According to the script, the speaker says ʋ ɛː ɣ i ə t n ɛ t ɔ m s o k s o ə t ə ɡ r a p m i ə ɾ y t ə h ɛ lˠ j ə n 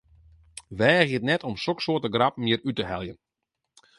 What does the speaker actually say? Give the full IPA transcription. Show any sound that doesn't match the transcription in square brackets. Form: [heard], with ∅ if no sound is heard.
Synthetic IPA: ʋ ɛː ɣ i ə t n ɛ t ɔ m s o k s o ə t ə ɡ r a p m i ə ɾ y t ə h ɛ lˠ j ə n